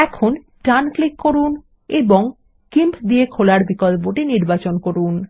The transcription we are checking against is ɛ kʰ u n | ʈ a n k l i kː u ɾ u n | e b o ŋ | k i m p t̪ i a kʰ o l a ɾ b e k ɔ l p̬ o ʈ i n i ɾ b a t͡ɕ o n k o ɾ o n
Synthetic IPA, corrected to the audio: ɛ kʰ o n | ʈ a n k l i kː o ɾ u n | e b o ŋ | k i m p d̪ i e kʰ o l a ɾ b i k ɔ l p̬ o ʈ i n i ɾ b a t͡ɕ o n k o ɾ u n